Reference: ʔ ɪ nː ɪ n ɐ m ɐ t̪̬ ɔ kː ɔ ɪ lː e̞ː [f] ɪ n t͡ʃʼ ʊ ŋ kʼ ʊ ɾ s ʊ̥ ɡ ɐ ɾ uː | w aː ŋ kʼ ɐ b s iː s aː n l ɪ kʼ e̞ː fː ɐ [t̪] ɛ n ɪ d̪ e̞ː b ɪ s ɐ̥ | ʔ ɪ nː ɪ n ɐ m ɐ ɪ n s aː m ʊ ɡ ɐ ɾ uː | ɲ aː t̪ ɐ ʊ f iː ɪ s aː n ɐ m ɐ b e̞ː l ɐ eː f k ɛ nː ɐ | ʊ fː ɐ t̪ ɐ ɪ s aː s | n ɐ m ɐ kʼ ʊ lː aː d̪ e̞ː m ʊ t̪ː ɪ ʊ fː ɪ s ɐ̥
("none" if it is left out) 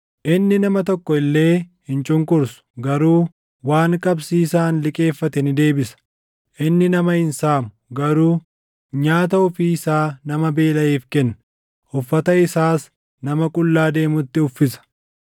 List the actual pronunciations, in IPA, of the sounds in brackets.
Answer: h, t̪

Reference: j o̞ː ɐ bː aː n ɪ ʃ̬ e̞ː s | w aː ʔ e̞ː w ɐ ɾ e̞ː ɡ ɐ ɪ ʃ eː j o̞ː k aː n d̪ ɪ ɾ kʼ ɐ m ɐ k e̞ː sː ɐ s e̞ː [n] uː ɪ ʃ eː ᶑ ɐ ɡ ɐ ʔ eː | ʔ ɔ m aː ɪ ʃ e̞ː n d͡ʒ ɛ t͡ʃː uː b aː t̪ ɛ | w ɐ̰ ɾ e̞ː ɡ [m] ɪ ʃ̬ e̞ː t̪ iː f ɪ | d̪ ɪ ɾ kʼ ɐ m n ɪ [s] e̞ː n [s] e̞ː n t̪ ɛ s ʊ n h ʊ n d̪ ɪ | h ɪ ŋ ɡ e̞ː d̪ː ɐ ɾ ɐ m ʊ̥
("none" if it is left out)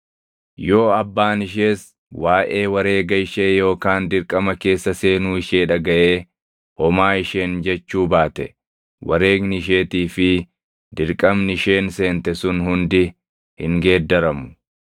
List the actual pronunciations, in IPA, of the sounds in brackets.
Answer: n, n, ʃ, s

